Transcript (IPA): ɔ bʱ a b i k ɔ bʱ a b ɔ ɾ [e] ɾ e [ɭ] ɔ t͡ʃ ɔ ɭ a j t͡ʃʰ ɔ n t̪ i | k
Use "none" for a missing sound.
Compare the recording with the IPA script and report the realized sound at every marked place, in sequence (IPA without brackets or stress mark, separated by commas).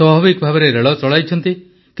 e, ɭ